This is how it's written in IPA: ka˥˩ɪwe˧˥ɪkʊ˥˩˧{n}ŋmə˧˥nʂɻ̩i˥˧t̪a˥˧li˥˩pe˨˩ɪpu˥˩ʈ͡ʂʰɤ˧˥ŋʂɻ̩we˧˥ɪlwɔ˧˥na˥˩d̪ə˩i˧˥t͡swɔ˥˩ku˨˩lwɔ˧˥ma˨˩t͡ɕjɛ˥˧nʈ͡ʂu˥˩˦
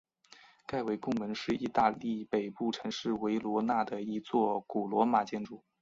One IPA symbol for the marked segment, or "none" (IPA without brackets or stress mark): none